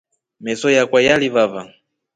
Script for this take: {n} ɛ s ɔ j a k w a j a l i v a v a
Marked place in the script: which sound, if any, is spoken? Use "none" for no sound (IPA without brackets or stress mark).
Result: m